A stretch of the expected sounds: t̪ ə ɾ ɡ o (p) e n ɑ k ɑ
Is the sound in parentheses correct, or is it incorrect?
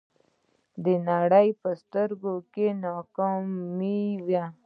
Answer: incorrect